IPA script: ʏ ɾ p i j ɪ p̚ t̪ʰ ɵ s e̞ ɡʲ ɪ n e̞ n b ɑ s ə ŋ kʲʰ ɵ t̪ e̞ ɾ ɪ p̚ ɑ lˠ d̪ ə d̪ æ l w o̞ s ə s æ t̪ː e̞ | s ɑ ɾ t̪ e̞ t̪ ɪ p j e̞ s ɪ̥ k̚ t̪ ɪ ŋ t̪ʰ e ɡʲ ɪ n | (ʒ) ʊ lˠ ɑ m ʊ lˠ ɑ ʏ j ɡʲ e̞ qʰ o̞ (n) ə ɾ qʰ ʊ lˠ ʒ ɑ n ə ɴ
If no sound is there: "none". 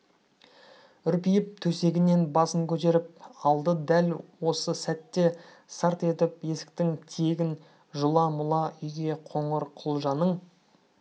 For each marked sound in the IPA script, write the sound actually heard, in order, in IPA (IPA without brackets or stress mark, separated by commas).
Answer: ʒ, ɴ